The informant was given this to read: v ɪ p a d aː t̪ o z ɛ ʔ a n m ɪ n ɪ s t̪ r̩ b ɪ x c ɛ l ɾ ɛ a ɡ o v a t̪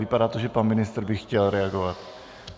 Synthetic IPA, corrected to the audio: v ɪ p a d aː t̪ o ʒ ɛ p a n m ɪ n ɪ s t̪ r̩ b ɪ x c ɛ l ɾ ɛ a ɡ o v a t̪